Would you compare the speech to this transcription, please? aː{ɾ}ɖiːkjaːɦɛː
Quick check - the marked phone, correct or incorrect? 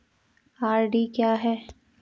correct